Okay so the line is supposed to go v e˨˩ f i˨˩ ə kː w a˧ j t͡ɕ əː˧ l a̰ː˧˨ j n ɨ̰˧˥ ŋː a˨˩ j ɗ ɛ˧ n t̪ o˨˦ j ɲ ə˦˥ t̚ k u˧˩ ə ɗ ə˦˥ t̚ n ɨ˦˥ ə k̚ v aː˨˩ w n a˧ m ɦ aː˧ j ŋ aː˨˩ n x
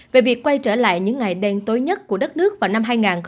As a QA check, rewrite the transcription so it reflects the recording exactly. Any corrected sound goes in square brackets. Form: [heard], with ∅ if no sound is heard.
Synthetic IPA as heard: v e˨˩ [v] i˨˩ ə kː w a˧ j t͡ɕ [əː˧˩] l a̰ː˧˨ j [ɲ] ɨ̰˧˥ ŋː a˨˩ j ɗ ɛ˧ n t̪ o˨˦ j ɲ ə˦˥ t̚ k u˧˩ ə ɗ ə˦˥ t̚ n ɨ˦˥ ə k̚ v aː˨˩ w n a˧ m ɦ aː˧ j ŋ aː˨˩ n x